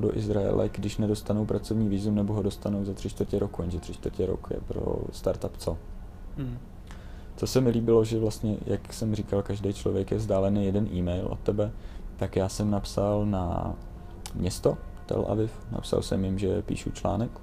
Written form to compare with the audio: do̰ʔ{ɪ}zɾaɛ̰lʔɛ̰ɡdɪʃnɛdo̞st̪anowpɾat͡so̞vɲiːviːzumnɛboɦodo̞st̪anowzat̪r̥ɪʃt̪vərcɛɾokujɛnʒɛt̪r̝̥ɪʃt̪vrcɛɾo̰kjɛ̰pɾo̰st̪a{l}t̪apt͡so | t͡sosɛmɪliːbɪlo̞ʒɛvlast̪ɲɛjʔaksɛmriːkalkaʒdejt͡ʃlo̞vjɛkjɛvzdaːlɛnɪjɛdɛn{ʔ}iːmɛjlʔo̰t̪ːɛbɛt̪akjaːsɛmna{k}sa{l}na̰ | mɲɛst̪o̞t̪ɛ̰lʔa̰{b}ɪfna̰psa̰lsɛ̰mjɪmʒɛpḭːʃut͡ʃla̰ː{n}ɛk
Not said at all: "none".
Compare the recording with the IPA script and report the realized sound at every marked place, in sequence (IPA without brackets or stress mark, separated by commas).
ɪ, ɾ, ʔ, p, l, v, n